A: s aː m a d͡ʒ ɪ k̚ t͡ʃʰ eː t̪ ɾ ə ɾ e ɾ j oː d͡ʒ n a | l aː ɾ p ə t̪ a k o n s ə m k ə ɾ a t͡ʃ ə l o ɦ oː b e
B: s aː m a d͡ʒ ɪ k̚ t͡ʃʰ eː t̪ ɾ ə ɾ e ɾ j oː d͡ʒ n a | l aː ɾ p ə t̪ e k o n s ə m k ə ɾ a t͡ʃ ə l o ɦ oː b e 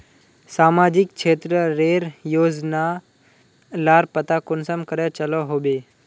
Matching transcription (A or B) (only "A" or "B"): A